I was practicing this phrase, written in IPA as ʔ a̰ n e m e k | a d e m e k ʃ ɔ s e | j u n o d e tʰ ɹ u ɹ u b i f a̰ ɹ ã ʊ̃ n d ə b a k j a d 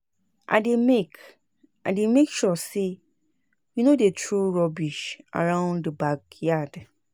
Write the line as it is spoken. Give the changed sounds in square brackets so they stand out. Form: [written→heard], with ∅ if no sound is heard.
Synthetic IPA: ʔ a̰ [n→d] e m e k | a d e m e k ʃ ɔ s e | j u n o d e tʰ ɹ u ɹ [u→ɔ] b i [f→ʃ] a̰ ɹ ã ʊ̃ n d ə b a k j a d